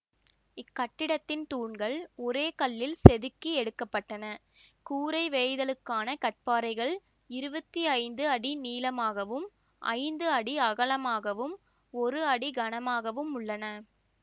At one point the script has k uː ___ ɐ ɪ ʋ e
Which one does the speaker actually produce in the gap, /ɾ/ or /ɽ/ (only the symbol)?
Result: ɾ